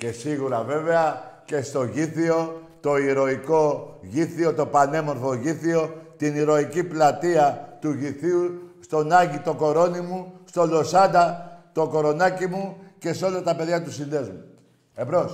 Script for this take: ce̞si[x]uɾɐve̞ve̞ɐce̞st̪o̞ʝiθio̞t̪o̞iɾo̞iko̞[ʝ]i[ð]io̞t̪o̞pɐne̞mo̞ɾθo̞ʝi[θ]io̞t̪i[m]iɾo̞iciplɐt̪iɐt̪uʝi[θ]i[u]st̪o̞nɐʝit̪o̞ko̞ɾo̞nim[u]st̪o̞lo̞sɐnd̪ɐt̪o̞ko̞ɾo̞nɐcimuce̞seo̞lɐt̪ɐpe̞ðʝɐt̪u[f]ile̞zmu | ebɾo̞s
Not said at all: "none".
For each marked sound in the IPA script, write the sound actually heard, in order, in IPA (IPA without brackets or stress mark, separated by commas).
ɣ, ʝ, θ, θ, n, θ, u, u, s